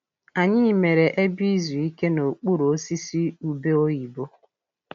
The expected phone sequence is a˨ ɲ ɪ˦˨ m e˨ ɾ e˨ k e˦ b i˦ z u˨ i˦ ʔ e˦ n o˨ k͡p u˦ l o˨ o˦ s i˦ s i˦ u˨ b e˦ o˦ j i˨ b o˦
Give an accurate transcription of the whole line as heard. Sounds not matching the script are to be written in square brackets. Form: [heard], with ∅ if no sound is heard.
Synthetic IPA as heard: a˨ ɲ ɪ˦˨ m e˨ ɾ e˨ [ʔ] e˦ b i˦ z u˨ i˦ [k] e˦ n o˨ k͡p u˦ [ɾ] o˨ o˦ s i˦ s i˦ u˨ b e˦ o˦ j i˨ b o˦